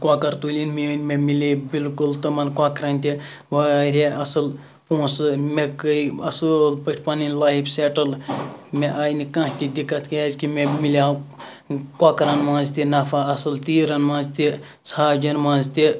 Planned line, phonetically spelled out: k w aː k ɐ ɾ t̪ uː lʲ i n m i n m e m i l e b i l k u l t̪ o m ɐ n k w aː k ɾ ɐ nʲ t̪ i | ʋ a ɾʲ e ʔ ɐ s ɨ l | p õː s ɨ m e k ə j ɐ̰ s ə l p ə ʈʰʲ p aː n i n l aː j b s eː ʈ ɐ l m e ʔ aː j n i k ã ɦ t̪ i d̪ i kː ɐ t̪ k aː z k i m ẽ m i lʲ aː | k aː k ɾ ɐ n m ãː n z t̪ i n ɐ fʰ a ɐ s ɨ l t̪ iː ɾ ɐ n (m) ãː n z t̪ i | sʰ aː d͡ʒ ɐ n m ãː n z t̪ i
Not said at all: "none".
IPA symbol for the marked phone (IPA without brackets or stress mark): m